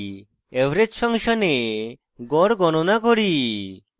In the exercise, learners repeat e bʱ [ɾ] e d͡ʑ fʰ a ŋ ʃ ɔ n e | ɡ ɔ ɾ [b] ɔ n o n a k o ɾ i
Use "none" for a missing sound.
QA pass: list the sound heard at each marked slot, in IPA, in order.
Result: ɾ, ɡ

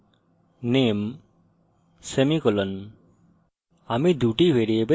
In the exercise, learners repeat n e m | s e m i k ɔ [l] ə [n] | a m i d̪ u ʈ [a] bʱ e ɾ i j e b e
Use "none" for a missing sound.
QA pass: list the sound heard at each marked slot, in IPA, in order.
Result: l, n, i

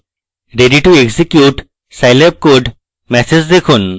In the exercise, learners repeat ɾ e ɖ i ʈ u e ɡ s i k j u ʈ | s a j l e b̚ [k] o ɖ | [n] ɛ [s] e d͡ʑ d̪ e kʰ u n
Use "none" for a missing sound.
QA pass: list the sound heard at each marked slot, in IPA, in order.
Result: k, m, s

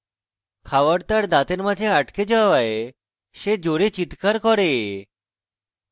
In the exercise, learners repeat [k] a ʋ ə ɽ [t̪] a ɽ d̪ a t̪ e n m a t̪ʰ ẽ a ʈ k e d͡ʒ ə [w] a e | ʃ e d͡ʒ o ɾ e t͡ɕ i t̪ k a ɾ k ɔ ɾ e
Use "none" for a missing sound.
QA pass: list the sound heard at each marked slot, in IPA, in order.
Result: kʰ, t̪, ʋ

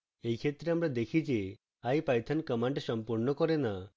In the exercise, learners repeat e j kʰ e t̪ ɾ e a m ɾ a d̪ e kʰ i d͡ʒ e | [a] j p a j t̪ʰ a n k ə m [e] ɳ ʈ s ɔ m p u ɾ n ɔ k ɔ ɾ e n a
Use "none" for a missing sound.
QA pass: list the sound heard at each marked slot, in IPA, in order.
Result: a, a

